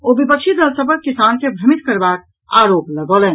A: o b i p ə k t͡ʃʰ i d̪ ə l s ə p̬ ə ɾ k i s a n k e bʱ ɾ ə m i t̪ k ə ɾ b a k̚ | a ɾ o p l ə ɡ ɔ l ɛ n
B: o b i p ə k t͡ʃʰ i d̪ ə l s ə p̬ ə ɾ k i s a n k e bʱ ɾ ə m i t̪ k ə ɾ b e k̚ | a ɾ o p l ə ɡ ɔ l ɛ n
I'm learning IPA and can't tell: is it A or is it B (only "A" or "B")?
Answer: A